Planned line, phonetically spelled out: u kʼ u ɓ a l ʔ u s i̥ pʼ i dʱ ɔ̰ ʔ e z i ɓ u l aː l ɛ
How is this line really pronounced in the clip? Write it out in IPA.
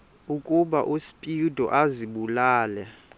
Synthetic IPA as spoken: u kʼ u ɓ a ʔ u s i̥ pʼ i dʱ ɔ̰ ʔ a z i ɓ u l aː l ɛ